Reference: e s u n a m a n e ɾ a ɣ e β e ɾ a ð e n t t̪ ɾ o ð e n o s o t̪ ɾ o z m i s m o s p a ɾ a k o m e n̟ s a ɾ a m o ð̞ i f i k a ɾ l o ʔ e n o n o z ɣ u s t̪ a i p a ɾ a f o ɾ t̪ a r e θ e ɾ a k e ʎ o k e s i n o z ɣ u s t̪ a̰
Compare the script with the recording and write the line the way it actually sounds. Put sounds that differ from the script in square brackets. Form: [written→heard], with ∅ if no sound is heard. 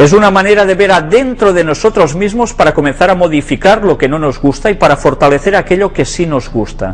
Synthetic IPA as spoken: e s u n a m a n e ɾ a [ɣ→ð] e β e ɾ a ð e n t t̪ ɾ o ð e n o s o t̪ ɾ o z m i [s→z] m o s p a ɾ a k o m e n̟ [s→θ] a ɾ a m o ð̞ i f i k a ɾ l o [ʔ→k] e n o n o z ɣ u s t̪ a i p a ɾ a f o ɾ t̪ a [r→l] e θ e ɾ a k e ʎ o k e s i n o z ɣ u s t̪ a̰

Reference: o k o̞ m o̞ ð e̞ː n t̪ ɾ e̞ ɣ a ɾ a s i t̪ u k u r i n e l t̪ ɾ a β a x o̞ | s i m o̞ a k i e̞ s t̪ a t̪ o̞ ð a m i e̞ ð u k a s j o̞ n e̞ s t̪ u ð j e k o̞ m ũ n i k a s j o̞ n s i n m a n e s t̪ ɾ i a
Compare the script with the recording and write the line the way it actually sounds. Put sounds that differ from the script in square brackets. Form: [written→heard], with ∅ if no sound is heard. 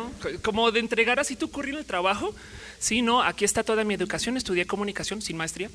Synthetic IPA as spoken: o k o̞ m o̞ ð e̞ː n t̪ ɾ e̞ ɣ a ɾ a s i t̪ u k u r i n e l t̪ ɾ a β a x o̞ | s i [m→n] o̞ a k i e̞ s t̪ a t̪ o̞ ð a m i e̞ ð u k a s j o̞ n e̞ s t̪ u ð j e k o̞ m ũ n i k a s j o̞ n s i n m a [n→∅] e s t̪ ɾ i a

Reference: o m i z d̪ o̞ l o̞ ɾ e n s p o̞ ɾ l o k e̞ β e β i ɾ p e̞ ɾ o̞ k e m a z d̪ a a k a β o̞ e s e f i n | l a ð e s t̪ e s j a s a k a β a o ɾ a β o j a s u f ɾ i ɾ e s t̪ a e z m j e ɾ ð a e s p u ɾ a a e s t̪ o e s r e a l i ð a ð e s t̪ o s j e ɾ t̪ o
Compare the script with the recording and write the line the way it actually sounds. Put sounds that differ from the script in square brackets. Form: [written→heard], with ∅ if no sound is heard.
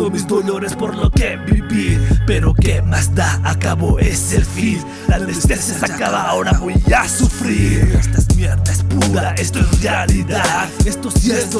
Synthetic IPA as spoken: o m i z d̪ o̞ l o̞ ɾ e [n→∅] s p o̞ ɾ l o k e̞ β [e→i] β i ɾ p e̞ ɾ o̞ k e m a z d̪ a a k a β o̞ e s e f i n | l a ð e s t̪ e s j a s a k a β a o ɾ a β o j a s u f ɾ i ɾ e s t̪ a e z m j e ɾ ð a e s p u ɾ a a e s t̪ o e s r e a l i ð a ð e s t̪ o s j e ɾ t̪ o

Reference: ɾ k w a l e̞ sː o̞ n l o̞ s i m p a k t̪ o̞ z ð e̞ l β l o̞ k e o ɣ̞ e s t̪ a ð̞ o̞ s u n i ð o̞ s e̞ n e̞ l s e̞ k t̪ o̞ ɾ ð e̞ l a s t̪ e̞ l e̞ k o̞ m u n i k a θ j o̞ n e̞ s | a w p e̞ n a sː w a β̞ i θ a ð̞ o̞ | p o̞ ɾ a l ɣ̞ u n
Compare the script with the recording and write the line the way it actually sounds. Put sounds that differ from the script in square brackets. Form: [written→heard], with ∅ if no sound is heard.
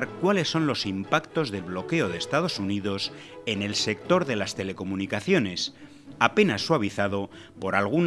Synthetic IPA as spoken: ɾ k w a l e̞ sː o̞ n l o̞ s i m p a k t̪ o̞ z ð e̞ l β l o̞ k e o [ɣ̞→ð̞] e s t̪ a ð̞ o̞ s u n i ð o̞ s e̞ n e̞ l s e̞ k t̪ o̞ ɾ ð e̞ l a s t̪ e̞ l e̞ k o̞ m u n i k a θ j o̞ n e̞ s | a [w→∅] p e̞ n a sː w a β̞ i θ a ð̞ o̞ | p o̞ ɾ a l ɣ̞ u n

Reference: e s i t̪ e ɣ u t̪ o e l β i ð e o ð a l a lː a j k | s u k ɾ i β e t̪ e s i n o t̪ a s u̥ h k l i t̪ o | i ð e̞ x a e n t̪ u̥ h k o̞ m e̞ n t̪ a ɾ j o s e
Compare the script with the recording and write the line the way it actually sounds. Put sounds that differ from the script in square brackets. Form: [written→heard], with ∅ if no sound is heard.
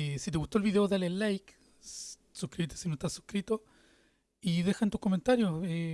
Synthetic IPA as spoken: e s i t̪ e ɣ u t̪ o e l β i ð e o ð a l [a→e] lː a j k | s u k ɾ i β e t̪ e s i n o t̪ a s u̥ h k [l→ɾ] i t̪ o | i ð e̞ x a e n t̪ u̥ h k o̞ m e̞ n t̪ a ɾ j o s e

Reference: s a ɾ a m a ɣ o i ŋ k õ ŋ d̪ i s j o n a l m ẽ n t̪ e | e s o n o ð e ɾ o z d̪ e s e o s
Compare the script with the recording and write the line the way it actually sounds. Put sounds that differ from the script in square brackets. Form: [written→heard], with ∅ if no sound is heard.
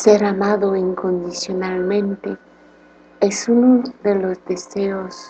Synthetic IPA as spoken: s [a→e] ɾ a m a [ɣ→ð] o i ŋ k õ [ŋ→n] d̪ i s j o n a l m ẽ n t̪ e | e s [o→u] n o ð e [ɾ→l] o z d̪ e s e o s

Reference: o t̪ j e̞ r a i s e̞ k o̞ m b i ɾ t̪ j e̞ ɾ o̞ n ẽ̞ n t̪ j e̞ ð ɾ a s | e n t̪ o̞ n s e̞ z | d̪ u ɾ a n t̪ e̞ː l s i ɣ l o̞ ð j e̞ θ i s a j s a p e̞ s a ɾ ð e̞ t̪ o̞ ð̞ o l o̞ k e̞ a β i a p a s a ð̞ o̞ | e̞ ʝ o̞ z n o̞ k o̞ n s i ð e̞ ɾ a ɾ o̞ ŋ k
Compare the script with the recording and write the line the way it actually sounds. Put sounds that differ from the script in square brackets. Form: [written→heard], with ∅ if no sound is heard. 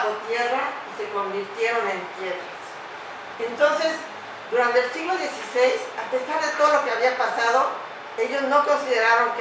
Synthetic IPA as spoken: o t̪ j e̞ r a i s e̞ k o̞ m b i ɾ t̪ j e̞ ɾ o̞ n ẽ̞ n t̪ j e̞ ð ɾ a s | e n t̪ o̞ n s e̞ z | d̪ u ɾ a n t̪ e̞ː l s i ɣ l o̞ ð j e̞ [θ→s] i s [a→e] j s a p e̞ s a ɾ ð e̞ t̪ o̞ ð̞ o l o̞ k e̞ a β i a p a s a ð̞ o̞ | e̞ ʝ o̞ z n o̞ k o̞ n s i ð e̞ ɾ a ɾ o̞ ŋ k

